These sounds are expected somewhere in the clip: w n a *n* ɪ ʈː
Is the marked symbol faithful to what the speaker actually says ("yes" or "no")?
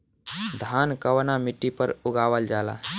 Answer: no